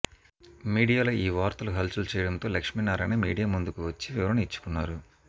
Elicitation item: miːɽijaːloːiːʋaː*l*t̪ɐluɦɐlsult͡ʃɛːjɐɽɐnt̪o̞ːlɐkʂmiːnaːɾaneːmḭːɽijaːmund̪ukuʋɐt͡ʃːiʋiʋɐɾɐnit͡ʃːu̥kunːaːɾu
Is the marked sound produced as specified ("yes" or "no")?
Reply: no